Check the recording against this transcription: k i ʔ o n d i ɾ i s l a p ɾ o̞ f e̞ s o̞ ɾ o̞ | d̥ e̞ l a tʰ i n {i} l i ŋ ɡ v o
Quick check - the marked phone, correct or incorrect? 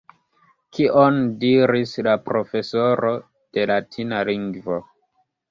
incorrect